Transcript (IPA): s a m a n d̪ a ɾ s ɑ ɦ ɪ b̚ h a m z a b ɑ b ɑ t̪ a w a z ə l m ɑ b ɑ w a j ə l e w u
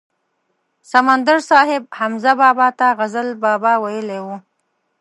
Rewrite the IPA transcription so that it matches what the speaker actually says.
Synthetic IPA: s a m a n d̪ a ɾ s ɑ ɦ ɪ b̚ h a m z a b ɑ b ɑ t̪ a ɣ a z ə l b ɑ b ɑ w a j ə l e w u